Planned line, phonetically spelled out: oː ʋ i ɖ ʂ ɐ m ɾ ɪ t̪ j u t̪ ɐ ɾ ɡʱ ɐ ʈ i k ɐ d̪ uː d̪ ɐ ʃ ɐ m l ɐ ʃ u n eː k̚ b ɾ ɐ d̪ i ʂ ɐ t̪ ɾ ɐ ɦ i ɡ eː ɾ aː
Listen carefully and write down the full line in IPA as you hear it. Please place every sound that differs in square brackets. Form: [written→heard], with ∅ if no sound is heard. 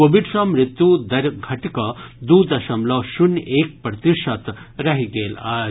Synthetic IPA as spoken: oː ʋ i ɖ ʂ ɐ m ɾ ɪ t̪ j u [t̪→d̪] ɐ ɾ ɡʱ ɐ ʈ i k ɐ d̪ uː d̪ ɐ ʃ ɐ m l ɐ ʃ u n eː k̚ [b→p] ɾ ɐ [d̪→t̪] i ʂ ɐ t̪ ɾ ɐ ɦ i ɡ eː [ɾ→l] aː